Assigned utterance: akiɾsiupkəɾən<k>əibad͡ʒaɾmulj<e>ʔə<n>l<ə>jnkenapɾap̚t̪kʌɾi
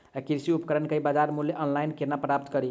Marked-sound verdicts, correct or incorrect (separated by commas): correct, correct, correct, incorrect